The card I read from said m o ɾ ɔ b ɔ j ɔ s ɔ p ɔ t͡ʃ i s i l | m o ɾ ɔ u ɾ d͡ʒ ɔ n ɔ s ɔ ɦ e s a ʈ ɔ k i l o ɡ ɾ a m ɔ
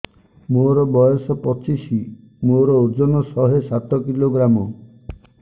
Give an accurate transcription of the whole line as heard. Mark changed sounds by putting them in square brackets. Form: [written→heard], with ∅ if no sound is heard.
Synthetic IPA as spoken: m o ɾ ɔ b ɔ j ɔ s ɔ p ɔ t͡ʃ i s i [l→∅] | m o ɾ ɔ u ɾ d͡ʒ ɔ n ɔ s ɔ ɦ e s a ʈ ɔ k i l o ɡ ɾ a m ɔ